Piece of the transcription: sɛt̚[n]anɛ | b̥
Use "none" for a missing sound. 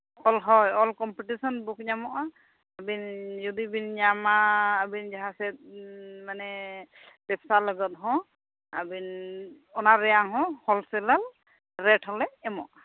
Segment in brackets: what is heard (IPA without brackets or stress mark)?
m